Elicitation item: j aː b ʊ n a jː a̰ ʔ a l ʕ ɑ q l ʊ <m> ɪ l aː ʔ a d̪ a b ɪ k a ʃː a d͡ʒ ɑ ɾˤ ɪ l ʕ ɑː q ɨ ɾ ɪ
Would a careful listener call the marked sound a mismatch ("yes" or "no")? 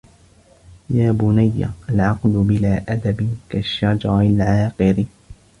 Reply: yes